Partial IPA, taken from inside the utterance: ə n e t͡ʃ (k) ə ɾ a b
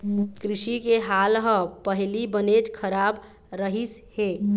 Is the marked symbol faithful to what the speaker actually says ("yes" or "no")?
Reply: no